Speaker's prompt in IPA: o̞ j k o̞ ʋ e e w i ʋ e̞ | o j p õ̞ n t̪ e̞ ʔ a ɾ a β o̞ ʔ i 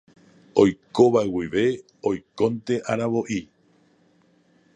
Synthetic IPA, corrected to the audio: o̞ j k o̞ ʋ a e w i ʋ e̞ | o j k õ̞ n t̪ e̞ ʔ a ɾ a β o̞ ʔ i